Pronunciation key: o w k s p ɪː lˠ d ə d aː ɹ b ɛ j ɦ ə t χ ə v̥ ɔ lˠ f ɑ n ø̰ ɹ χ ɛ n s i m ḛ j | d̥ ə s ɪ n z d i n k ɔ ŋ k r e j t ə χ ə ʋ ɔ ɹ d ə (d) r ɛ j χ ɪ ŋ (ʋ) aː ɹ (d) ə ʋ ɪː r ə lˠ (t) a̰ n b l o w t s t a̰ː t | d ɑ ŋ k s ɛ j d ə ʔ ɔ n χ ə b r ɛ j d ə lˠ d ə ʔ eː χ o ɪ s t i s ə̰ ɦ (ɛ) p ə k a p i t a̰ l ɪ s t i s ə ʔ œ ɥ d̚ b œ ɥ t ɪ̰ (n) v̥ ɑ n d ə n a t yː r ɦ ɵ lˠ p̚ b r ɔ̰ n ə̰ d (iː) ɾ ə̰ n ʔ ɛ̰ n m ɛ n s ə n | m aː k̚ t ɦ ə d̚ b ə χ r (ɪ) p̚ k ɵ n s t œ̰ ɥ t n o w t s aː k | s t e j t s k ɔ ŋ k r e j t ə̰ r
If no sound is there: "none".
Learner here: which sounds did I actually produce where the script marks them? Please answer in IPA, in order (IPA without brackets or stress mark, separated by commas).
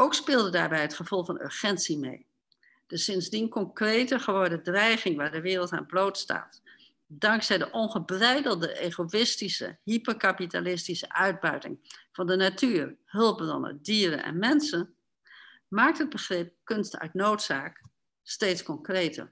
d, ʋ, d, t, i, ŋ, iː, ɪ